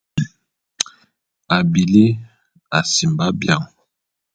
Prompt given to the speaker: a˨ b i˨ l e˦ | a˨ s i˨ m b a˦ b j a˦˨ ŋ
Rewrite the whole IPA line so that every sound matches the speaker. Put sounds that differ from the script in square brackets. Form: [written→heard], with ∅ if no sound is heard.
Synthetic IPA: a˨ b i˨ l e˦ | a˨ s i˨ m b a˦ b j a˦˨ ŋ

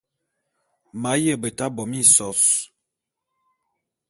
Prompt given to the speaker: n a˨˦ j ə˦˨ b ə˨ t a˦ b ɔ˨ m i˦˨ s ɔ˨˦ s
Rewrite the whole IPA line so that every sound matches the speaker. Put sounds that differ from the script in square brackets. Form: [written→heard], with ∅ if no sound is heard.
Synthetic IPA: [n→m] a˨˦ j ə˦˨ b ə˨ t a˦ b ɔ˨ m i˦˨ s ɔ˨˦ s

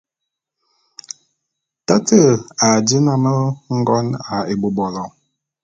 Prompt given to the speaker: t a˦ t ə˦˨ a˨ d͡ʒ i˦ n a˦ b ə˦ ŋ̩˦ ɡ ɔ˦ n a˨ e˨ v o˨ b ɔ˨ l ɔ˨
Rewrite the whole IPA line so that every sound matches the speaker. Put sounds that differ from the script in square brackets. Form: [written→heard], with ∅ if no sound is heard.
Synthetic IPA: t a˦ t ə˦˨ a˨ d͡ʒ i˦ n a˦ [b→m] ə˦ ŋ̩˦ ɡ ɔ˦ n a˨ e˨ [v→b] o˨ b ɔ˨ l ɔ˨

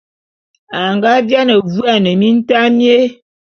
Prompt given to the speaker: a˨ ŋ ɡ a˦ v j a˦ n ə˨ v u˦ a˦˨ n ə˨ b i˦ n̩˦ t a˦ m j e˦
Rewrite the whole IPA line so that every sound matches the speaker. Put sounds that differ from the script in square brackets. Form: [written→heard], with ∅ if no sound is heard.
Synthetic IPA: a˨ ŋ ɡ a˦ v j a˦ n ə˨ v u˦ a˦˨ n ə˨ [b→m] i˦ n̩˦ t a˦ m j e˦

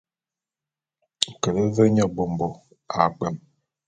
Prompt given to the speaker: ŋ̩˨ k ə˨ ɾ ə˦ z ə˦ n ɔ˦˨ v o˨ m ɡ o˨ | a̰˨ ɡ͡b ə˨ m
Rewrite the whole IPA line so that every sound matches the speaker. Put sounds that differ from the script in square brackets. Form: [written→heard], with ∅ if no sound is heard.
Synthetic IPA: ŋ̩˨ k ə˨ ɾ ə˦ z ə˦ [n→ɲ] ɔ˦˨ [v→b] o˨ m [ɡ→b] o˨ | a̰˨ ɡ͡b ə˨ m

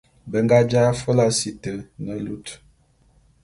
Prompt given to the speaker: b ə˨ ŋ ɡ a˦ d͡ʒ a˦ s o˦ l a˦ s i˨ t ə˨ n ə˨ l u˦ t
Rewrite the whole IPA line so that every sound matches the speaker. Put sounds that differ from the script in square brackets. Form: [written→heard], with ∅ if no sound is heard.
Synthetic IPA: b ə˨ ŋ ɡ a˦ d͡ʒ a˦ [s→f] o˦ l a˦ s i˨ t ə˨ n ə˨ l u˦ t

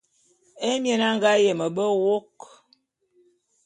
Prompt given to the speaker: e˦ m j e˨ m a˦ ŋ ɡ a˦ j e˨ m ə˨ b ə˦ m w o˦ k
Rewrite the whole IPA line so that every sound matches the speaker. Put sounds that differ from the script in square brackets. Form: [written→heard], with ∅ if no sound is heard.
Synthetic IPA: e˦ m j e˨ [m→n] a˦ ŋ ɡ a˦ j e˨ m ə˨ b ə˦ [m→∅] w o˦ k

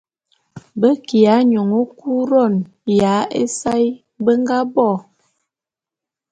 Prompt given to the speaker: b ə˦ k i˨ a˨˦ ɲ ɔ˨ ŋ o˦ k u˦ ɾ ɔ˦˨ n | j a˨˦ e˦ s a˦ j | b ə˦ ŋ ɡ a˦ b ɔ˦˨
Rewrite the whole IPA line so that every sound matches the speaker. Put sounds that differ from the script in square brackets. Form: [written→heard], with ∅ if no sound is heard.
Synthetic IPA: b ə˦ k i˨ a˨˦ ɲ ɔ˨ ŋ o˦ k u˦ ɾ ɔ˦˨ n | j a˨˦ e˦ s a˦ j | b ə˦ ŋ ɡ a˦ b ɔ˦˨

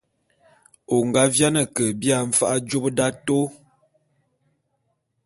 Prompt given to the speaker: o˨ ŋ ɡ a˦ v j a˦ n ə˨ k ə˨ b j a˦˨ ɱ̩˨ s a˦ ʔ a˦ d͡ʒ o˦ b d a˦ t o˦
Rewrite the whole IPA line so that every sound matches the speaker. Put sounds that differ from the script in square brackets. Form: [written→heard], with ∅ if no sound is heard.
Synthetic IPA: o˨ ŋ ɡ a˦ v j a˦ n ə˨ k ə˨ b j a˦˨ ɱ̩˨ [s→f] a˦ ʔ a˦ d͡ʒ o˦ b d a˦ t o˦

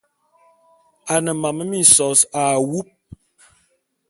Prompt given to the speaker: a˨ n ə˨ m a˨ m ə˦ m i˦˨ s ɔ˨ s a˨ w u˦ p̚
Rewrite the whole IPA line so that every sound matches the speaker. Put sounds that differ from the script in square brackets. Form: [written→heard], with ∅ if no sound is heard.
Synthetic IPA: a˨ n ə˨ m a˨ m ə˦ m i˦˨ s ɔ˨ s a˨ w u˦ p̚

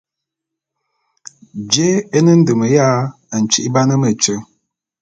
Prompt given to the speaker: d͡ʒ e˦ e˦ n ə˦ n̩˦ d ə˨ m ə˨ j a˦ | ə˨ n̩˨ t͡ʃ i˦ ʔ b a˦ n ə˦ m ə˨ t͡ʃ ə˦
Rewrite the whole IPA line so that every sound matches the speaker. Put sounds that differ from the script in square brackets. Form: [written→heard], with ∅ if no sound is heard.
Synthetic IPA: d͡ʒ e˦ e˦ n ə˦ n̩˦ d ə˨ m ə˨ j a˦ | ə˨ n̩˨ t͡ʃ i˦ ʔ b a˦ n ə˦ m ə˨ t͡ʃ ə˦

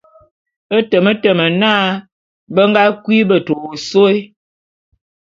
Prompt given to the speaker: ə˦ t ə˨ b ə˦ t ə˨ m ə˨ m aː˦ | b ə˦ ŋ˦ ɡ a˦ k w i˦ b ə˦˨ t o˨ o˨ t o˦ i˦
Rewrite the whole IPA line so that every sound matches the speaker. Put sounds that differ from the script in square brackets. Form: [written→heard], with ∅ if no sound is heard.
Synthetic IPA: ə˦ t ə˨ [b→m] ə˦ t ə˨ m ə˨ [m→n] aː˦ | b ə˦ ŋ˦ ɡ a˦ k w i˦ b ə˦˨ t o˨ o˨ [t→s] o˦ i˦

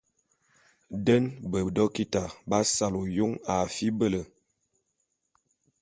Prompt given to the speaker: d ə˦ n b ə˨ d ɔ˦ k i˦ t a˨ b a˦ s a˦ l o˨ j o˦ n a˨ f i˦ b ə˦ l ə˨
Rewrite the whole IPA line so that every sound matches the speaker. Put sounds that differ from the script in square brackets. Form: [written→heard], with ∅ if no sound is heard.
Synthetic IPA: d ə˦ n b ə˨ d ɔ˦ k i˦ t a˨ b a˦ s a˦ l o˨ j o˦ [n→ŋ] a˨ f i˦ b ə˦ l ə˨

